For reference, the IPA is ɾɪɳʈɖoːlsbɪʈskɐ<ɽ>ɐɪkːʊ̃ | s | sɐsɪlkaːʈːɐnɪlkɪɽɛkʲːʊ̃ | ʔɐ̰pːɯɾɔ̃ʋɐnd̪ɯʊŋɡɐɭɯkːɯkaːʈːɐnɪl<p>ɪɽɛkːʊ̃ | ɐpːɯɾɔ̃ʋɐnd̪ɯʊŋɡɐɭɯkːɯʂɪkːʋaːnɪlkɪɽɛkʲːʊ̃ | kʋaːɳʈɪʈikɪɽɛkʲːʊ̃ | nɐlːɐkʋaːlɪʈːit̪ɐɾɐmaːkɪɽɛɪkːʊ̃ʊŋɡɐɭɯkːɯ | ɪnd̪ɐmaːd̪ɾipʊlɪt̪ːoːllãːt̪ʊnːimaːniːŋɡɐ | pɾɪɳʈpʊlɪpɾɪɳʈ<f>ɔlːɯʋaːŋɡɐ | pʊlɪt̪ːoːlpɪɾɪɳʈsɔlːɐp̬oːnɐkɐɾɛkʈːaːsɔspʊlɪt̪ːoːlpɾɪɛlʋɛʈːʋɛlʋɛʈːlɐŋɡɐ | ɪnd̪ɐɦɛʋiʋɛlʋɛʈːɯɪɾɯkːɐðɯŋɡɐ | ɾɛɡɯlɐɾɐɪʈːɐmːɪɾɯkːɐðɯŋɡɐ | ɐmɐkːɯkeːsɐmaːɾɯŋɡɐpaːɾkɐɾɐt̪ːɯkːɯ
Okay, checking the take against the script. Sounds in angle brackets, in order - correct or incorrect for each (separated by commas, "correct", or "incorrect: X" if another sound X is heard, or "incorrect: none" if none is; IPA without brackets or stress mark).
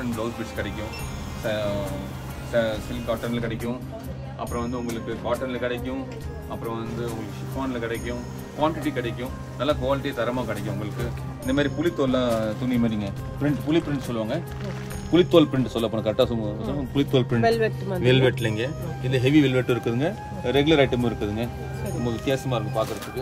correct, incorrect: k, incorrect: s